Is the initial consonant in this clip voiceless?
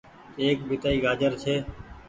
yes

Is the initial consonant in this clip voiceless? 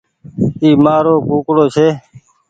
no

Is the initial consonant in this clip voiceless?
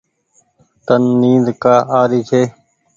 yes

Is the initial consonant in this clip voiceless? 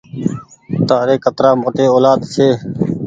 yes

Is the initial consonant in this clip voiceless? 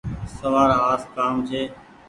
yes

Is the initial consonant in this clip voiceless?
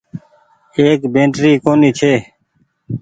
yes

